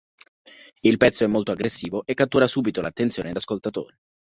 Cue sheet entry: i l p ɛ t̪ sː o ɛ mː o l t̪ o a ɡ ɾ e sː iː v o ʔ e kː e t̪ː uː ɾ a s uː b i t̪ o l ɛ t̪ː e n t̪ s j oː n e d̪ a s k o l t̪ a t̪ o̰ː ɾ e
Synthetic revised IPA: i l p ɛ t̪ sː o ɛ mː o l t̪ o a ɡ ɾ e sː iː v o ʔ e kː a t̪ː uː ɾ a s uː b i t̪ o l a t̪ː e n t̪ s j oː n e d̪ a s k o l t̪ a t̪ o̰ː ɾ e